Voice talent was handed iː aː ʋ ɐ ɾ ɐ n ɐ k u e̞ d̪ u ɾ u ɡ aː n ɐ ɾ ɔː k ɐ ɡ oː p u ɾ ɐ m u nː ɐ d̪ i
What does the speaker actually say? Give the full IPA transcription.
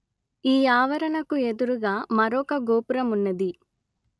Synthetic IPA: iː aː ʋ ɐ ɾ ɐ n ɐ k u e̞ d̪ u ɾ u ɡ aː m ɐ ɾ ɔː k ɐ ɡ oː p u ɾ ɐ m u nː ɐ d̪ i